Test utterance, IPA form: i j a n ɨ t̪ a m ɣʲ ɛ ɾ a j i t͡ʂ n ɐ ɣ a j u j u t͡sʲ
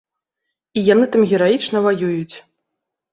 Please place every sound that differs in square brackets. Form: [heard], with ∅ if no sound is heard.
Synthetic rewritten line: i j a n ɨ t̪ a m ɣʲ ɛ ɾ a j i t͡ʂ n ɐ [v] a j u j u t͡sʲ